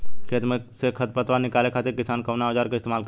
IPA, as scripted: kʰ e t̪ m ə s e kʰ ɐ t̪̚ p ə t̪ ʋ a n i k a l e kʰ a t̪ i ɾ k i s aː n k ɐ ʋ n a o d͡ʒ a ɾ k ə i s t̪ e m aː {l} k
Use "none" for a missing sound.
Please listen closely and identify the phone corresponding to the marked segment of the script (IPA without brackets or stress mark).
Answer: l